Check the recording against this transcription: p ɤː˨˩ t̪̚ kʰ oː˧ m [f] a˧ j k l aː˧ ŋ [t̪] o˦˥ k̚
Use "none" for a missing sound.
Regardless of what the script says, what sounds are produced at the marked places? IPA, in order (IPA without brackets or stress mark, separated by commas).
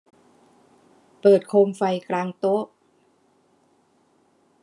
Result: f, t̪